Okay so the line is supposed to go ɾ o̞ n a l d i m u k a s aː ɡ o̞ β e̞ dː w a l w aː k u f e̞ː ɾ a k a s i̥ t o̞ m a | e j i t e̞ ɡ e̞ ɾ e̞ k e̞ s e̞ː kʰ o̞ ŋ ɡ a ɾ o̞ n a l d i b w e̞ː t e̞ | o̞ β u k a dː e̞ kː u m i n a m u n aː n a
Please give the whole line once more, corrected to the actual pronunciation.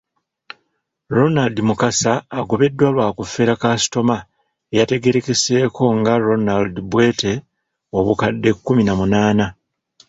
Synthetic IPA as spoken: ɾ o̞ n a l d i m u k a s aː ɡ o̞ β e̞ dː w a l w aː k u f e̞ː ɾ a k a s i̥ t o̞ m a | e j a t e̞ ɡ e̞ ɾ e̞ k e̞ s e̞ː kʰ o̞ ŋ ɡ a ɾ o̞ n a l d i b w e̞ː t e̞ | o̞ β u k a dː e̞ kː u m i n a m u n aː n a